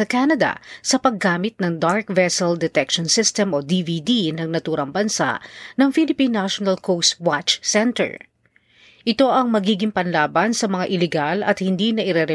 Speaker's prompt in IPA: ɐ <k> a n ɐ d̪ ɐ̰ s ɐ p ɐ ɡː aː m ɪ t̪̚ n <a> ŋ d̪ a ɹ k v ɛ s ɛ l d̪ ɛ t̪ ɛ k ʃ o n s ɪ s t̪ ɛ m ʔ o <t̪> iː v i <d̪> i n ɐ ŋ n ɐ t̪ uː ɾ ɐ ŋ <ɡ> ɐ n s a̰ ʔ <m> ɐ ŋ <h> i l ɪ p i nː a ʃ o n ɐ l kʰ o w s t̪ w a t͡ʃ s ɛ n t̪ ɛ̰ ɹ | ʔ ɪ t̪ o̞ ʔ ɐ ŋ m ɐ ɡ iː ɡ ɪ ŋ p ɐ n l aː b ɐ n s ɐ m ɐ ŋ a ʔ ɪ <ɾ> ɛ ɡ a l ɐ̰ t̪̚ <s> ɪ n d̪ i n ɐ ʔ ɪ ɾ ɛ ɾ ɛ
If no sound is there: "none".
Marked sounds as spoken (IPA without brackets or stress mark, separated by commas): k, ɐ, d̪, d̪, b, n, f, l, h